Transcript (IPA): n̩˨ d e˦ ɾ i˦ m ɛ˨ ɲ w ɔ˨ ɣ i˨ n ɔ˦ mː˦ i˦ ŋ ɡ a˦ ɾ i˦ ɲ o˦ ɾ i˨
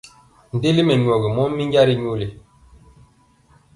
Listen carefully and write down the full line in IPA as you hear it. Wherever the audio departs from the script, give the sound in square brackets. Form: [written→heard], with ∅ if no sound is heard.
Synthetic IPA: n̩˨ d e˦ [ɾ→l] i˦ m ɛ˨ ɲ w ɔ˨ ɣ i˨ [n→m] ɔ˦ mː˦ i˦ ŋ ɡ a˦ ɾ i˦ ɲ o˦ [ɾ→l] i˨